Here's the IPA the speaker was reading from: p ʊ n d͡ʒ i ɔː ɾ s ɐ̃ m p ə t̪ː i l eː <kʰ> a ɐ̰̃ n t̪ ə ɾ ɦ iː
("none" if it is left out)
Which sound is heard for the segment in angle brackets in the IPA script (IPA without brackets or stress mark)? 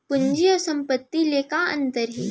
k